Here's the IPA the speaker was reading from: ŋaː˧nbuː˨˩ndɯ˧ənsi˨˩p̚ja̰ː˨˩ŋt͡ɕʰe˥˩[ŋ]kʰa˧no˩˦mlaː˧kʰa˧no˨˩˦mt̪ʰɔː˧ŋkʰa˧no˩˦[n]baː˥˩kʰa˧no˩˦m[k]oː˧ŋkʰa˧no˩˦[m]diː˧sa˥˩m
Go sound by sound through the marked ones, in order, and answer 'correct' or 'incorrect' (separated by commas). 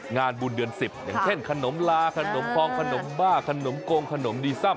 incorrect, incorrect, correct, correct